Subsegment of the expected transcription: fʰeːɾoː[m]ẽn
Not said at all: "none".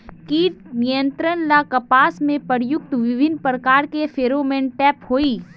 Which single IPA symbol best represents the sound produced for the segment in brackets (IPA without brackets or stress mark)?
m